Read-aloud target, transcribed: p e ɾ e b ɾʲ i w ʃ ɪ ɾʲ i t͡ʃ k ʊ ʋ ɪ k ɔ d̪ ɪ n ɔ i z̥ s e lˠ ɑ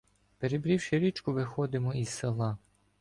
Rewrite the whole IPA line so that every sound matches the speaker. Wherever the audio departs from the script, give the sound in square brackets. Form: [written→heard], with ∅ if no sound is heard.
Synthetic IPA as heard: p e ɾ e b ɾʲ i w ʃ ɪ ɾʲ i t͡ʃ k ʊ ʋ ɪ [k→x] ɔ d̪ ɪ [n→m] ɔ i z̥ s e lˠ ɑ